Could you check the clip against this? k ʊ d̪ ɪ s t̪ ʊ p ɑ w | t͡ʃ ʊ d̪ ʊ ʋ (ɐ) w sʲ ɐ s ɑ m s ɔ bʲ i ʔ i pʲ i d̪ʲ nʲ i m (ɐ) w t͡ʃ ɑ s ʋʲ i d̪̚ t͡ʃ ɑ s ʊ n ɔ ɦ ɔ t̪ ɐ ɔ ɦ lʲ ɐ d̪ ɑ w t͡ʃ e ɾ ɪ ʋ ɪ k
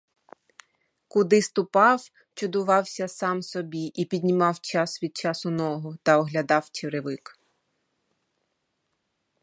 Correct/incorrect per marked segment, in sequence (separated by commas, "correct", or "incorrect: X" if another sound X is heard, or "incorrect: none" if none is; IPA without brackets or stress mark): incorrect: ɑ, incorrect: ɑ